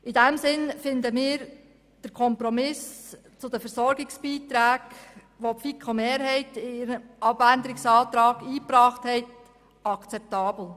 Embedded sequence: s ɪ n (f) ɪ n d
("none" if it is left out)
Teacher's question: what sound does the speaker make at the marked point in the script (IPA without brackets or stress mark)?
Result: f